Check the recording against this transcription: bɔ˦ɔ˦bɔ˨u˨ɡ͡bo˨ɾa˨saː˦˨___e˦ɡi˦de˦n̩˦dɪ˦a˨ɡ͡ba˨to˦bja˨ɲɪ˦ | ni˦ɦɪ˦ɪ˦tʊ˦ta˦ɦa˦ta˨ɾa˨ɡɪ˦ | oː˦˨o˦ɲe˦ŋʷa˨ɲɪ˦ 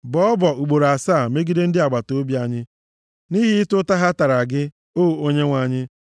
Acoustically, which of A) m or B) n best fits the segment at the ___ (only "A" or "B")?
A